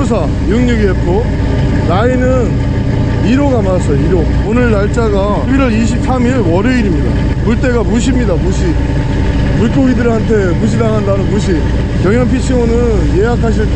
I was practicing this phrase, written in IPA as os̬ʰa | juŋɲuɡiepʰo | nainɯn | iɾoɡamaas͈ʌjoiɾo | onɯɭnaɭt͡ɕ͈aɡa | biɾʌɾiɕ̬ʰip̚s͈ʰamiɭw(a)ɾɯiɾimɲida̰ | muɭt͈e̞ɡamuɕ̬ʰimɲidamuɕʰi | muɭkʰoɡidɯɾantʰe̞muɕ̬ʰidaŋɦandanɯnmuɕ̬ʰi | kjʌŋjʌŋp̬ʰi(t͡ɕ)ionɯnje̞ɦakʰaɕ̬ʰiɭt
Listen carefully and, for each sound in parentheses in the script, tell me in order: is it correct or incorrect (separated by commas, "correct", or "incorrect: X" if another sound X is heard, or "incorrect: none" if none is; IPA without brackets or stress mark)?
incorrect: ʌ, incorrect: t͡ɕʰ